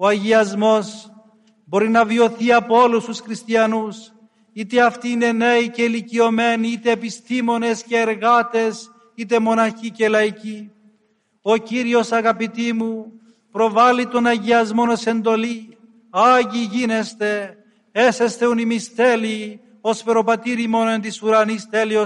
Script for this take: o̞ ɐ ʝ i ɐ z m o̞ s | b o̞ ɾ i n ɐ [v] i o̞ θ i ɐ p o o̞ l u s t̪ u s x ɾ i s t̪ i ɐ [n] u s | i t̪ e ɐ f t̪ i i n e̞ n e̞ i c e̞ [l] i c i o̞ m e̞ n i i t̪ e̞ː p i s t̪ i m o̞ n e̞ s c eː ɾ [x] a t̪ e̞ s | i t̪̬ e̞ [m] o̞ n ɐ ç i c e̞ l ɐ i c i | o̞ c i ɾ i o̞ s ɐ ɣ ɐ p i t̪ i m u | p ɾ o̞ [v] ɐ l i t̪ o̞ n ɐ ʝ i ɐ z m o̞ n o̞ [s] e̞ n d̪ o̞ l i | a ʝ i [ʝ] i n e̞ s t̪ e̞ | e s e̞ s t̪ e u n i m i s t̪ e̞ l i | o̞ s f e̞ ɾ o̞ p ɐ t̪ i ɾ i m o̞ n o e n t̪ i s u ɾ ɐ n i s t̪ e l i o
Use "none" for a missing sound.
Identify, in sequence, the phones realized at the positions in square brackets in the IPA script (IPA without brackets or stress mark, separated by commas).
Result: v, n, l, ɣ, m, v, s, ʝ